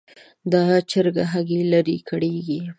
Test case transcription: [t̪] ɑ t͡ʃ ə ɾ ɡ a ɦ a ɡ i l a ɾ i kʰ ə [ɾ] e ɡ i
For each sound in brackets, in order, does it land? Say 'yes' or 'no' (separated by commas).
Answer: no, no